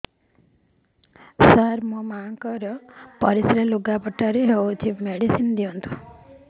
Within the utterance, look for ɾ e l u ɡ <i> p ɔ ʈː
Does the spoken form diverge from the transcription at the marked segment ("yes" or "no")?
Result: yes